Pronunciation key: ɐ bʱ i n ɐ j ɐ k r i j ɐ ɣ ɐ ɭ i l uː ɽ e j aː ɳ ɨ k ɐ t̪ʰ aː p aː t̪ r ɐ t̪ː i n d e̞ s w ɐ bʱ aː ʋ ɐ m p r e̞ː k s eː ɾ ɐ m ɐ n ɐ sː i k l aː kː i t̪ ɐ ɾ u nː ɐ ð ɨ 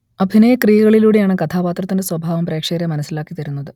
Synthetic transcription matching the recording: ɐ bʱ i n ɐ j ɐ k r i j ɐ ɣ ɐ ɭ i l uː ɽ e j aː ɳ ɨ k ɐ t̪ʰ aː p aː t̪ r ɐ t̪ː i n d e̞ s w ɐ bʱ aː ʋ ɐ m p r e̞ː k ʂ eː ɾ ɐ m ɐ n ɐ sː i l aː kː i t̪ ɐ ɾ u nː ɐ ð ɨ